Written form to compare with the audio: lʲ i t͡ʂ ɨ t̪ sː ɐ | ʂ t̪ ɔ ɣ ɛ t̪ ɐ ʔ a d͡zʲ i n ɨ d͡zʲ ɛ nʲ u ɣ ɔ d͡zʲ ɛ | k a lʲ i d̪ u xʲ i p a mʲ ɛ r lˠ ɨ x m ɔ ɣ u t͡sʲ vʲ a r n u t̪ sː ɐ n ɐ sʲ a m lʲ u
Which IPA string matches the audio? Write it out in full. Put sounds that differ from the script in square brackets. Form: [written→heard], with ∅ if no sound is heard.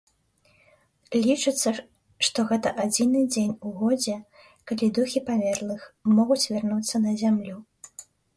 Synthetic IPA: lʲ i t͡ʂ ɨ t̪ sː ɐ | ʂ t̪ ɔ ɣ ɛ t̪ ɐ ʔ a d͡zʲ i n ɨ d͡zʲ [ɛ→e] nʲ u ɣ ɔ d͡zʲ ɛ | k a lʲ i d̪ u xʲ i p a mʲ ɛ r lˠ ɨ x m ɔ ɣ u t͡sʲ vʲ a r n u t̪ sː ɐ n ɐ [sʲ→zʲ] a m lʲ u